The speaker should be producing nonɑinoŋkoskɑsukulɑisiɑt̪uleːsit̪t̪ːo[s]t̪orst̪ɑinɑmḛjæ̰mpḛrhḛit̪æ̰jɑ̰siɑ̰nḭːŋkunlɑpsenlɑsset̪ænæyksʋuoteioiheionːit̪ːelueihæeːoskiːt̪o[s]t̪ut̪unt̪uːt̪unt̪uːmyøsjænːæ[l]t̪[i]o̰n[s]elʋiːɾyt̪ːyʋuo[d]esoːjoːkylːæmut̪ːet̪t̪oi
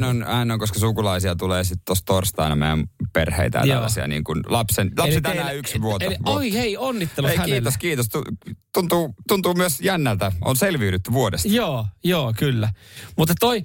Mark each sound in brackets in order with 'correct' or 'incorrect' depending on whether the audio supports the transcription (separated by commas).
correct, correct, correct, incorrect, correct, correct